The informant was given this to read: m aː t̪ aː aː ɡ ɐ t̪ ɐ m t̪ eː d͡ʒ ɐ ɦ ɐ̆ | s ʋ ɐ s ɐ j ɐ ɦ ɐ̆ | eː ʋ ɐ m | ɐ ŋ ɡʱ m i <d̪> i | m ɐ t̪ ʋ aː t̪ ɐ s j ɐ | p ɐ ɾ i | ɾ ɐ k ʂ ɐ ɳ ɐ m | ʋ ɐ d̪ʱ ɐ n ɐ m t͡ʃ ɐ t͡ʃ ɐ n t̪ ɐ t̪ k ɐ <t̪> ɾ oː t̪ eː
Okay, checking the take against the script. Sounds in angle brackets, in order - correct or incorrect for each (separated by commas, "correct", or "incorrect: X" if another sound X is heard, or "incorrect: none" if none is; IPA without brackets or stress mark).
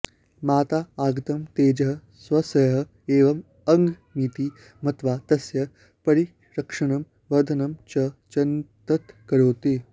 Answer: incorrect: t̪, incorrect: none